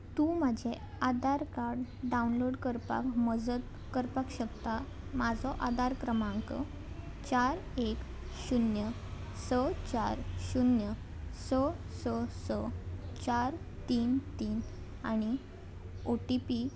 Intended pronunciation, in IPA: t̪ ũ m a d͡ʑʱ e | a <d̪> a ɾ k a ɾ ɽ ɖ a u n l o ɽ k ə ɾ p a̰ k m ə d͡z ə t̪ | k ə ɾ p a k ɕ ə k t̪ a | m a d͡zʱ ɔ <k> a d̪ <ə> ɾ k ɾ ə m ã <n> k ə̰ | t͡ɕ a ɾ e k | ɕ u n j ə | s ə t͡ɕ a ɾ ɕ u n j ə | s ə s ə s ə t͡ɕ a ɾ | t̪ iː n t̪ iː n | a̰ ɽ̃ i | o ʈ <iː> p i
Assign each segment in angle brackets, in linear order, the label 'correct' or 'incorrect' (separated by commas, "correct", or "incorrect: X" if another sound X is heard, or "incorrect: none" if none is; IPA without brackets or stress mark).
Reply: correct, incorrect: ʔ, incorrect: a, incorrect: ŋ, incorrect: i